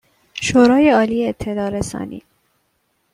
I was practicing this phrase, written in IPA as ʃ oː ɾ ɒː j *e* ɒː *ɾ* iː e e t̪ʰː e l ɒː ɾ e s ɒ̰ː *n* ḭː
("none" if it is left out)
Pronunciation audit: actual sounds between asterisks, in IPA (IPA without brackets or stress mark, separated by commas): e, l, n